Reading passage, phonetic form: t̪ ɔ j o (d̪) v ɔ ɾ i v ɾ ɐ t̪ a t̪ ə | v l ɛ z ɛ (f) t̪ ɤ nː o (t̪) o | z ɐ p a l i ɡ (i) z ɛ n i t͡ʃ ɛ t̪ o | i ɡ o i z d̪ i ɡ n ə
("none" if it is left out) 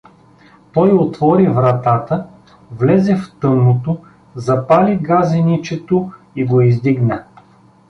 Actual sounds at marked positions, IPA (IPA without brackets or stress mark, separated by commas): t̪, f, t̪, a